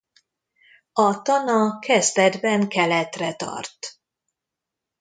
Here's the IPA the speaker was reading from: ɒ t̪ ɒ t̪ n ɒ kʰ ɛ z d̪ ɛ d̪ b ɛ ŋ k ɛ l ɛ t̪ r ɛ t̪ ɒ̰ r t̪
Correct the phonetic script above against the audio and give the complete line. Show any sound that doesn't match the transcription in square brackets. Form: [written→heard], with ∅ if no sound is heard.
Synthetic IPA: ɒ t̪ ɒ [t̪→∅] n ɒ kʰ ɛ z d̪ ɛ d̪ b ɛ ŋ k ɛ l ɛ t̪ r ɛ t̪ ɒ̰ r t̪